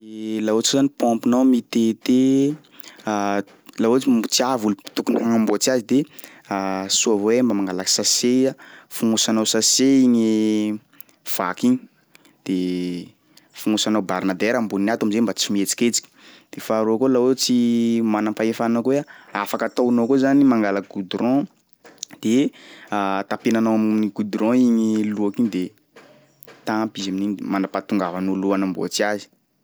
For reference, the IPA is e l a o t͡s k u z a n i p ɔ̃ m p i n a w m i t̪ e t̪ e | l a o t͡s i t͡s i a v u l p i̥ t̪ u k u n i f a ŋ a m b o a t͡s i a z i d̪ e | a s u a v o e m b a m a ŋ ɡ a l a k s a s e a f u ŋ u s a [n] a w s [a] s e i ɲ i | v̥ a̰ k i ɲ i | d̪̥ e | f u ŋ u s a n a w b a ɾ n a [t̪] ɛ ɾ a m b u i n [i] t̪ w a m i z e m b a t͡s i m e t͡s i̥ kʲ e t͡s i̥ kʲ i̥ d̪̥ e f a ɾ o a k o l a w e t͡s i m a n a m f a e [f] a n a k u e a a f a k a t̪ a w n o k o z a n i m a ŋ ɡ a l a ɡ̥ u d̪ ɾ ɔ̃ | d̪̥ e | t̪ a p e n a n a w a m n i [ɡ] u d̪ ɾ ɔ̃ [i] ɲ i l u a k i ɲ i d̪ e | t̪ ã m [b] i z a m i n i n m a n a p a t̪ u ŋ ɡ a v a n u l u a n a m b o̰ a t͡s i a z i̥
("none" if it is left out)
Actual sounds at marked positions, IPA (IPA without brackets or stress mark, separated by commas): n, a, d̪, a, f, ɡ, i, p